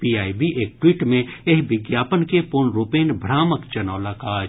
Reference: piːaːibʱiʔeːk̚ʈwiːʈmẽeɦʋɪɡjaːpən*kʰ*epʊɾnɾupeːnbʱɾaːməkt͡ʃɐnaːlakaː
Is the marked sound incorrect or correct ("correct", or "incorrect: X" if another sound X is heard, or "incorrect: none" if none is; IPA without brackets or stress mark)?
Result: incorrect: k